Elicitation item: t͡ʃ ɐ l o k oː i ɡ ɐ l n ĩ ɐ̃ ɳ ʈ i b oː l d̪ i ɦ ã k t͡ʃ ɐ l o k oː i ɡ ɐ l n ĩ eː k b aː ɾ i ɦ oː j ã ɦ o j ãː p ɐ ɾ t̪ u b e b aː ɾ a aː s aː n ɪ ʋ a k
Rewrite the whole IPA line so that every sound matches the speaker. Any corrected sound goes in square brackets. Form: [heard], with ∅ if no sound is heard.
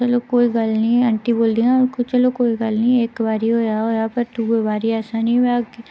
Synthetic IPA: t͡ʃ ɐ l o k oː i ɡ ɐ l n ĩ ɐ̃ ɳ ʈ i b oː l d̪ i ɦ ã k t͡ʃ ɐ l o k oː i ɡ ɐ l n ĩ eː k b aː ɾ i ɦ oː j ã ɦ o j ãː p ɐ ɾ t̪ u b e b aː ɾ [i] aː s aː n [i] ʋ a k